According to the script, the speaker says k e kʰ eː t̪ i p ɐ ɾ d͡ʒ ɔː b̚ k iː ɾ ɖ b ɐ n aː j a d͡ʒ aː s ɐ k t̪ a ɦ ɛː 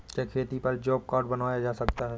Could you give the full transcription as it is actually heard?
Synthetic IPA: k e kʰ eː t̪ i p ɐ ɾ d͡ʒ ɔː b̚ k aː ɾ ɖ b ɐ n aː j a d͡ʒ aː s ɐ k t̪ a ɦ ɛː